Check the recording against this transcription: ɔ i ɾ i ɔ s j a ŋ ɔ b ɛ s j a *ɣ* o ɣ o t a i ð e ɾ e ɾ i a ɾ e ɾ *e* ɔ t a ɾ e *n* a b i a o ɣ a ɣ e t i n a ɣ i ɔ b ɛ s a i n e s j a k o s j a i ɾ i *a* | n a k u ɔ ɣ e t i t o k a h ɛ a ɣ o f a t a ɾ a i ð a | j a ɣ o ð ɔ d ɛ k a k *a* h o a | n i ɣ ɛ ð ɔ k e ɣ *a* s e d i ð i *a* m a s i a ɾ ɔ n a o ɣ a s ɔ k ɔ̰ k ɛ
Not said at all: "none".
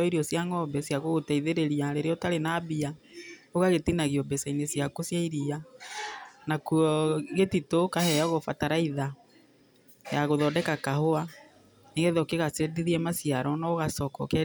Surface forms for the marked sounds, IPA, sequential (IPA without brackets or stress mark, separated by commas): ɣ, e, n, a, a, a, ɛ